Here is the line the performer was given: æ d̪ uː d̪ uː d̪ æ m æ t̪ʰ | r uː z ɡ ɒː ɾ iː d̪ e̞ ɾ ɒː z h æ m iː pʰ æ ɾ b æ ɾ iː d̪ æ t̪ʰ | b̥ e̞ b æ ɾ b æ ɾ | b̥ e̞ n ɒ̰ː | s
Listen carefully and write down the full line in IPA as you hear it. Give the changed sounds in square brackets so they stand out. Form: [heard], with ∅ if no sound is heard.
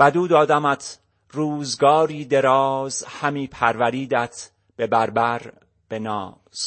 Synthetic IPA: æ d̪ uː d̪ [ɒː] d̪ æ m æ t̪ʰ | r uː z ɡ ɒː ɾ iː d̪ e̞ ɾ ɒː z h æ m iː pʰ æ ɾ [v] æ ɾ iː d̪ æ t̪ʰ | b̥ e̞ b æ ɾ b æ ɾ | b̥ e̞ n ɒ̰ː | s